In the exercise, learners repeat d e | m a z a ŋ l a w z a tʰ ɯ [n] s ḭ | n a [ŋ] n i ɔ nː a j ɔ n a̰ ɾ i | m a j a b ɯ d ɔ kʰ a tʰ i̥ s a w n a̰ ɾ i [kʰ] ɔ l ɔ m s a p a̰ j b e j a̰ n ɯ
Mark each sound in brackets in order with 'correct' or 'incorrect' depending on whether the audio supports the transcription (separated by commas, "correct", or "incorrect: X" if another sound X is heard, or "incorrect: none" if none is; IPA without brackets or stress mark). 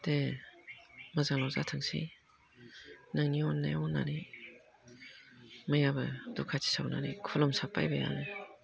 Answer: incorrect: ŋ, correct, correct